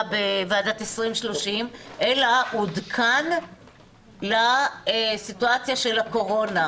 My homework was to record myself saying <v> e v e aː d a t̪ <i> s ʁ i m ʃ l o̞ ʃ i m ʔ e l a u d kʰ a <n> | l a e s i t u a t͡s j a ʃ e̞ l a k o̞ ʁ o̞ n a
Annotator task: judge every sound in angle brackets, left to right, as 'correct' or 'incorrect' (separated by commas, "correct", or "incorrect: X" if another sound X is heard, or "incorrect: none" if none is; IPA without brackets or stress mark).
incorrect: b, incorrect: e, correct